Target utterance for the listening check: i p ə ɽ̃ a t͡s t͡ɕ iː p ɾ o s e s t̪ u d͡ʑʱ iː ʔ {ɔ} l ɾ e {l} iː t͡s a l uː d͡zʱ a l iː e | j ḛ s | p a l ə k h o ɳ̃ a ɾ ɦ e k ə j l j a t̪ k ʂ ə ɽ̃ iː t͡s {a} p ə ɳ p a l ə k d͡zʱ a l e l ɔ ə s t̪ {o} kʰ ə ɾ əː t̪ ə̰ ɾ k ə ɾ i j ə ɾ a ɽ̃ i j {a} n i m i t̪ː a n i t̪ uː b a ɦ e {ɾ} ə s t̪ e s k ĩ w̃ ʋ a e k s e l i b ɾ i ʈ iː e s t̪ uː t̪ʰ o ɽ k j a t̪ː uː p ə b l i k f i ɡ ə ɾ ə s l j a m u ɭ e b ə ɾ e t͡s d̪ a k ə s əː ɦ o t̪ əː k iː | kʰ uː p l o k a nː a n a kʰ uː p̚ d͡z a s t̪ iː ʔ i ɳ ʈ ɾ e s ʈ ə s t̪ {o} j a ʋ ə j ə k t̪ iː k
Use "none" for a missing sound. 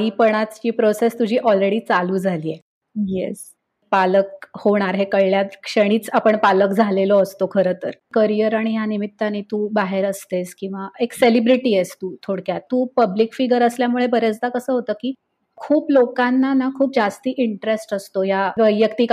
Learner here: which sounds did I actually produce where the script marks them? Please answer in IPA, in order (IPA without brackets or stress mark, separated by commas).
ɔ, ɽ, a, o, a, ɾ, o